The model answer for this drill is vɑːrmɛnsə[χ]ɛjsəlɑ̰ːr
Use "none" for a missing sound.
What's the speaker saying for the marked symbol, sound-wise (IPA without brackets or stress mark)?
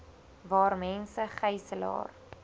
χ